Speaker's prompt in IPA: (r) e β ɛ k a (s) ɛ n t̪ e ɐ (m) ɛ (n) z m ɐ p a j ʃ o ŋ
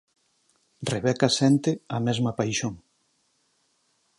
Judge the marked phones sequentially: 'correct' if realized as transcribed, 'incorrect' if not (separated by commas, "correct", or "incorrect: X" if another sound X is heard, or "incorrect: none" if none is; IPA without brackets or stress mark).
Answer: correct, correct, correct, incorrect: none